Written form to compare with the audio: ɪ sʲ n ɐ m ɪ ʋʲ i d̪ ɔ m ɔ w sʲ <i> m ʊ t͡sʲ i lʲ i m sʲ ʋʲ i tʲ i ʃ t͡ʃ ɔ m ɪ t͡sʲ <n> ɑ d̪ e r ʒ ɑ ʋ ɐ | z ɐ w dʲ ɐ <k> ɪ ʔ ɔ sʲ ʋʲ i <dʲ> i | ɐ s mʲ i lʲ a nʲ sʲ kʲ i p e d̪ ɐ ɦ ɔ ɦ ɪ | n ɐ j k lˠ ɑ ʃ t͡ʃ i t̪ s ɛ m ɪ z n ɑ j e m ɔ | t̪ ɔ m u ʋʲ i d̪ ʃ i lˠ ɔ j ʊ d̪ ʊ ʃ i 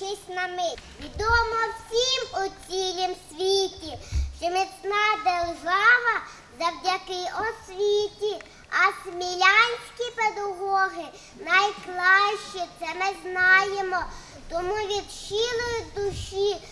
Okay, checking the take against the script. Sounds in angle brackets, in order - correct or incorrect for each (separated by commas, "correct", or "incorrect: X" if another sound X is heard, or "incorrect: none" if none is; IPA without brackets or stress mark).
correct, correct, correct, incorrect: tʲ